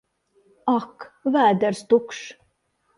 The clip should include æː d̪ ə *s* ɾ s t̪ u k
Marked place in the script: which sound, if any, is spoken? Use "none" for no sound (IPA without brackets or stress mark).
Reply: none